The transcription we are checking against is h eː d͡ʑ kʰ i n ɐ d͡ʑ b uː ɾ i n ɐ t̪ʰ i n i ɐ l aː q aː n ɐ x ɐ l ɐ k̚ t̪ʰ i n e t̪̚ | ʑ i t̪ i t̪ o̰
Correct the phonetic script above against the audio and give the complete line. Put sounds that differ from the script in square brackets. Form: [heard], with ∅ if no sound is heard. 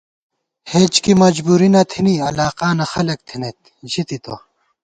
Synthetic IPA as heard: h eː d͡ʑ [k] i [m] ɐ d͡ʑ b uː ɾ i n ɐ t̪ʰ i n i ɐ l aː q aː n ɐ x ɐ l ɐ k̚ t̪ʰ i n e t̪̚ | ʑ i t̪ i t̪ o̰